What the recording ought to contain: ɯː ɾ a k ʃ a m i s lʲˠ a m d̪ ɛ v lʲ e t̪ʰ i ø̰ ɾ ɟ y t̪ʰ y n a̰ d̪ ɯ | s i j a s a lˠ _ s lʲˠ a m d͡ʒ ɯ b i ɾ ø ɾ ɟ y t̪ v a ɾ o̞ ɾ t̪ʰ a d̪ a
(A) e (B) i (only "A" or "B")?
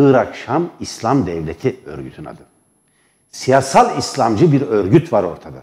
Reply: B